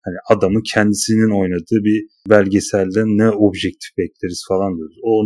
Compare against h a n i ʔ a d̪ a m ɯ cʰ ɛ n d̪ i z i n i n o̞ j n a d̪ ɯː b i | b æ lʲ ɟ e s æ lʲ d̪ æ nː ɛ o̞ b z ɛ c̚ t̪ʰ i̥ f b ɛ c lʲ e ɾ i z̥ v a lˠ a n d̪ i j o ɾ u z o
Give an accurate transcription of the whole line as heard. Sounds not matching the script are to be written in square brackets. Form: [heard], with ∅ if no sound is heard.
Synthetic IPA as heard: h a n i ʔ a d̪ a m ɯ cʰ ɛ n d̪ i [s] i n i n o̞ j n a d̪ ɯː b i | b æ lʲ ɟ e s æ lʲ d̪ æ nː ɛ o̞ b [ʒ] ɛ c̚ t̪ʰ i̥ f b ɛ c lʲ e ɾ i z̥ [f] a lˠ a n d̪ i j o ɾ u z o